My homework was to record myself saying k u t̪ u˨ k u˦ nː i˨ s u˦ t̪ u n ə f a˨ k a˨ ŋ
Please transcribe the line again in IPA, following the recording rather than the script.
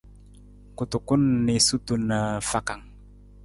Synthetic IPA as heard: k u t̪ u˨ k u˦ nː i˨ s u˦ t̪ u n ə f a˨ k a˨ ŋ